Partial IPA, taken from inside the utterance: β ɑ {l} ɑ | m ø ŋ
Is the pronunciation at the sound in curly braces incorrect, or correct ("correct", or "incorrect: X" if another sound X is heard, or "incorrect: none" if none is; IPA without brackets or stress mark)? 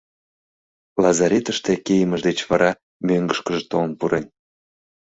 incorrect: ɾ